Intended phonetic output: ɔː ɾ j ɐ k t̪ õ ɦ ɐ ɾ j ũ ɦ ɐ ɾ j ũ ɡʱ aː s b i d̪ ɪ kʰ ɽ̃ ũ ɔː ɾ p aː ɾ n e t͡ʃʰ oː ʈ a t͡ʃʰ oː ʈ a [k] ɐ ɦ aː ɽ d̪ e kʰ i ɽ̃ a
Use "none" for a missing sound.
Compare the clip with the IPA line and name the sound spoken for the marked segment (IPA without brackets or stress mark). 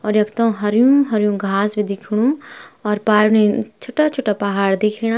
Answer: p